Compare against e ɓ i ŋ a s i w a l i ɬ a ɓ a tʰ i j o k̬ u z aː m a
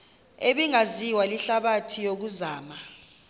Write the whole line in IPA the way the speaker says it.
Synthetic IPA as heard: e ɓ i ŋ a z i w a l i ɬ a ɓ a tʰ i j o k̬ u z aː m a